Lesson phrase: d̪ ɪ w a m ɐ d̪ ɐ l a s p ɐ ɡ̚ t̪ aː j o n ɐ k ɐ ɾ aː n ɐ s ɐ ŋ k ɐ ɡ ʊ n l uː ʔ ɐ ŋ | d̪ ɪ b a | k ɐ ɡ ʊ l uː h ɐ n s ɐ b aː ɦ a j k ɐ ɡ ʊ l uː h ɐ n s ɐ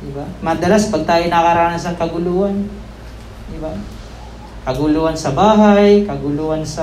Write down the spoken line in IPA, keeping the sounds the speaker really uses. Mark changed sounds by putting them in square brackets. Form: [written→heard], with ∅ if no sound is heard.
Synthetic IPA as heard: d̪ ɪ [w→b] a m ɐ d̪ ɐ l a s p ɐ ɡ̚ t̪ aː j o n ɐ k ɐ ɾ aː n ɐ s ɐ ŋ k ɐ ɡ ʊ [n→∅] l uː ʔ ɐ [ŋ→n] | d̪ ɪ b a | k ɐ ɡ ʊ l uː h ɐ n s ɐ b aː ɦ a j k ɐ ɡ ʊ l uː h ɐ n s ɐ